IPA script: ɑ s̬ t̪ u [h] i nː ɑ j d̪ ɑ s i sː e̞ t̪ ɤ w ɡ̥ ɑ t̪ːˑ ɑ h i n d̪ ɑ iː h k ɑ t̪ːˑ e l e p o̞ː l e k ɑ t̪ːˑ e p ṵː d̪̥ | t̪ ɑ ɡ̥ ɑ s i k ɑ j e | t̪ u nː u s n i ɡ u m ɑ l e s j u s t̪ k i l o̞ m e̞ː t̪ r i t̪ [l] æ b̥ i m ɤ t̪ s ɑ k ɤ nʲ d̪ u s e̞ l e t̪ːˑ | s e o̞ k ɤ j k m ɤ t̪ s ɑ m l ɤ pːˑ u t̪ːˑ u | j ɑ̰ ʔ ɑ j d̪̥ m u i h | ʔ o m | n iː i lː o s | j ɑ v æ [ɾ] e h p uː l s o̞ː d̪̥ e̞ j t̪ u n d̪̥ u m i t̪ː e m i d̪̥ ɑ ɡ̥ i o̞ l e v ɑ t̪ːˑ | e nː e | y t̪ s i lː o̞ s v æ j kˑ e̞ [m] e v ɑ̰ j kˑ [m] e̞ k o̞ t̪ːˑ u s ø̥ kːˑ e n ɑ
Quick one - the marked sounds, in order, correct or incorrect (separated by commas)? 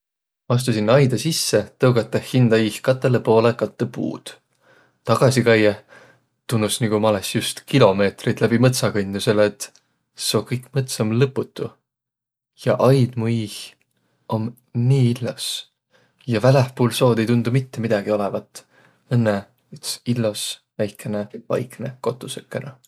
incorrect, correct, incorrect, incorrect, incorrect